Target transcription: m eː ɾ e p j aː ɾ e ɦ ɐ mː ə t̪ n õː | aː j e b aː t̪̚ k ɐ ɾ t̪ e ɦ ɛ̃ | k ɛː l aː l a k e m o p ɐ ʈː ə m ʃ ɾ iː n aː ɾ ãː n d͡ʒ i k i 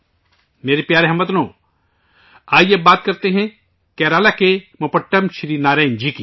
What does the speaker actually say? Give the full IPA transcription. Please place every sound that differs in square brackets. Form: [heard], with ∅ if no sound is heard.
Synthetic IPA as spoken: m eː ɾ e p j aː ɾ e ɦ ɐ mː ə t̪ n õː | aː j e b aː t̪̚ k ɐ ɾ t̪ e ɦ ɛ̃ | k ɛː [ɾ] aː l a k e m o p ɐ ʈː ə m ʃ ɾ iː n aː ɾ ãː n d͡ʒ i k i